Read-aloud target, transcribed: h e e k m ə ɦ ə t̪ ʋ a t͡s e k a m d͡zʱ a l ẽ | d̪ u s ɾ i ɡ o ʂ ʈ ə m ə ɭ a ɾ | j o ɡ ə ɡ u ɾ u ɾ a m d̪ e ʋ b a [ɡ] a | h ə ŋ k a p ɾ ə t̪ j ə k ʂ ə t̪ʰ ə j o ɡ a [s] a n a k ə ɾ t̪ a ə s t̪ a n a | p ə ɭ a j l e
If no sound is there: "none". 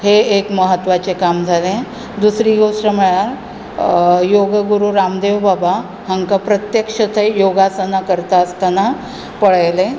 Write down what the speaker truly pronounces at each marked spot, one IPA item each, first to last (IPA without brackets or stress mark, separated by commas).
b, s